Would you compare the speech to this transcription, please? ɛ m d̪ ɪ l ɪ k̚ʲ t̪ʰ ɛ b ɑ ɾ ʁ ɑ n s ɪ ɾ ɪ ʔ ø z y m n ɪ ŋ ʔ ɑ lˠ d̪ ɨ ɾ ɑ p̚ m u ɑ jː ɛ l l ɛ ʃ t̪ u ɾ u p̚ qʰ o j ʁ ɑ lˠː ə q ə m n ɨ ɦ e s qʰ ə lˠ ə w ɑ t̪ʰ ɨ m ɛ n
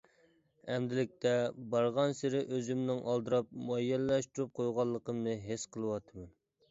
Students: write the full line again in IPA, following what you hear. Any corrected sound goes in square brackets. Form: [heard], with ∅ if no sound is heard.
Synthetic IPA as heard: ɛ m d̪ ɪ l ɪ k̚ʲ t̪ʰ ɛ b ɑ ɾ ʁ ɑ n s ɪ ɾ ɪ ʔ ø z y m n ɪ ŋ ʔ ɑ lˠ d̪ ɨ ɾ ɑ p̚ m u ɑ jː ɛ l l ɛ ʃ t̪ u ɾ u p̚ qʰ o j ʁ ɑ lˠː ə q ə m n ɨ ɦ e s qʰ ə lˠ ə w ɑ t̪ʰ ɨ m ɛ n